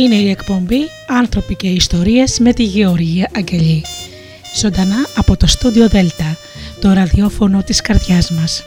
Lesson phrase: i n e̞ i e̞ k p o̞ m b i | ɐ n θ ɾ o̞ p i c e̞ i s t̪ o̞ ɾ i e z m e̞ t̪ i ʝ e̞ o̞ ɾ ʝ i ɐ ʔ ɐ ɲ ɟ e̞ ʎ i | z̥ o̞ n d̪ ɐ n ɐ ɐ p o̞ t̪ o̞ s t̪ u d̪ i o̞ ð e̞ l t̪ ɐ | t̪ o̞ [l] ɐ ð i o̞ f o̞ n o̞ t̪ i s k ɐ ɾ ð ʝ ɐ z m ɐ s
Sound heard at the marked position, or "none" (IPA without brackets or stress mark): ɾ